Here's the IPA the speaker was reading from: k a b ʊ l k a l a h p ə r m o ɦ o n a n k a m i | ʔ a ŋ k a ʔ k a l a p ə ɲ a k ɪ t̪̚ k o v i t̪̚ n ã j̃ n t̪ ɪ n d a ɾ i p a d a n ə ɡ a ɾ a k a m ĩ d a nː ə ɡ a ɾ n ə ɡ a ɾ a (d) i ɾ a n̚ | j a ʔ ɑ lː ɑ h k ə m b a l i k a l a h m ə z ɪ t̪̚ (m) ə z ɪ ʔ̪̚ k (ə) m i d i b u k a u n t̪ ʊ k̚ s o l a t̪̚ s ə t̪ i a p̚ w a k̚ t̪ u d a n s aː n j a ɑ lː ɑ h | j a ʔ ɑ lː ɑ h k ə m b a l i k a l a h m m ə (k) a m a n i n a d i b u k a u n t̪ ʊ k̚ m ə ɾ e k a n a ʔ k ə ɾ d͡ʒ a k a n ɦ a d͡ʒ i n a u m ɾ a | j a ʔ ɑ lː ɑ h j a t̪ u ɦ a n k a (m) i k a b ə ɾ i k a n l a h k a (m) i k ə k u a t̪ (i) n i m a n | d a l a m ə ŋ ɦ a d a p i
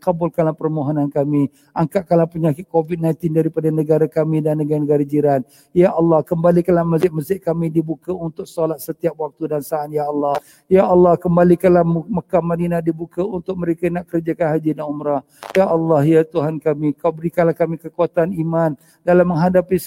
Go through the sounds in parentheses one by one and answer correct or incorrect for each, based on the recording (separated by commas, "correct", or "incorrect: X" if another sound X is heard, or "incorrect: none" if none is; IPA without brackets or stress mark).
incorrect: d͡ʒ, correct, incorrect: a, correct, correct, correct, incorrect: a